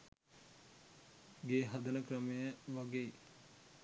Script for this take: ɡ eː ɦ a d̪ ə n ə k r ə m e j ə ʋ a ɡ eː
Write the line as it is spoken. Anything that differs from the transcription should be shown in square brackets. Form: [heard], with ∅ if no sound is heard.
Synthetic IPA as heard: ɡ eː ɦ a d̪ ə n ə k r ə m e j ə ʋ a ɡ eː